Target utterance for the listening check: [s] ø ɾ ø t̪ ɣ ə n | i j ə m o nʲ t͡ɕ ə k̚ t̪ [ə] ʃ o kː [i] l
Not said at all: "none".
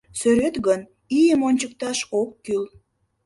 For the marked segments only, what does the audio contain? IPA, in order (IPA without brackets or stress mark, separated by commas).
s, ɑ, y